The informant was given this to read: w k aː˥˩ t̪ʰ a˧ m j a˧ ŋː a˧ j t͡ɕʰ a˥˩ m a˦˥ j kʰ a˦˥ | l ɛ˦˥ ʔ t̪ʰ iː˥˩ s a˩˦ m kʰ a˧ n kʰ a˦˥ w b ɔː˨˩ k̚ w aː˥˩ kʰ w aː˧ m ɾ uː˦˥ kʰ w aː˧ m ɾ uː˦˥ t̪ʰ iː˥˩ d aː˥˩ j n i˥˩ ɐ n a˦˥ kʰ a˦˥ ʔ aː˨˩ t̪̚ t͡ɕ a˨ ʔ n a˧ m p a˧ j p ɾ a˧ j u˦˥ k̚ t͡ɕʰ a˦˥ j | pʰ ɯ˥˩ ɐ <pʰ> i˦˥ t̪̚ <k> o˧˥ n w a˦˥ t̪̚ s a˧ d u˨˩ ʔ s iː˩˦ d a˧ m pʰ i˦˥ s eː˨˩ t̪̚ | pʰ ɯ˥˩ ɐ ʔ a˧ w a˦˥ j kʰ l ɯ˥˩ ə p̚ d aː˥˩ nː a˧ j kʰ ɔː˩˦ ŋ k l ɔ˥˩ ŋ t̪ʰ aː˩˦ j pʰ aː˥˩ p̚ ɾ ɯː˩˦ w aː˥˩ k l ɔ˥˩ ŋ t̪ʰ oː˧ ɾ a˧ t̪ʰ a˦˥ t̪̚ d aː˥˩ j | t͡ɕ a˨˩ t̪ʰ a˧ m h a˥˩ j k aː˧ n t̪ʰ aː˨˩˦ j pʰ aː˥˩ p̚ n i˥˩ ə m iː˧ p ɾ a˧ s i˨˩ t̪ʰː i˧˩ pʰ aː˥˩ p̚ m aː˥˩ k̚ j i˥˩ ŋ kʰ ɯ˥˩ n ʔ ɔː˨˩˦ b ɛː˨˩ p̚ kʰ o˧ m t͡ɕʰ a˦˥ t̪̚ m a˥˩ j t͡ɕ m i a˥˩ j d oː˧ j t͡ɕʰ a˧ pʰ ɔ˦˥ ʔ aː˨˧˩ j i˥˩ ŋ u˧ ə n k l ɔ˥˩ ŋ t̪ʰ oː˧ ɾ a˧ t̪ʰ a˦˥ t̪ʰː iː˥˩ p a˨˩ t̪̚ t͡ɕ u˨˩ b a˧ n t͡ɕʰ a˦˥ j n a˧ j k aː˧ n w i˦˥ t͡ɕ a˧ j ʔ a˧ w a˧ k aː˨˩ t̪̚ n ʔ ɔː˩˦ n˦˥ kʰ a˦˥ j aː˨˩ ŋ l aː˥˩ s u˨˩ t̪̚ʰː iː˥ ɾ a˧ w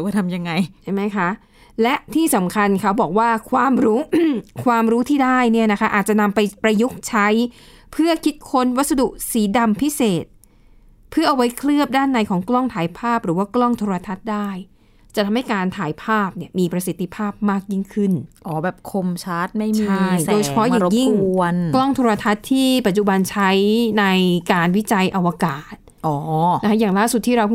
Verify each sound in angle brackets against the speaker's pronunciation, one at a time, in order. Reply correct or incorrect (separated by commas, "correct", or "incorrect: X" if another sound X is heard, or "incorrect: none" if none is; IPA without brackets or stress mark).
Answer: incorrect: kʰ, incorrect: kʰ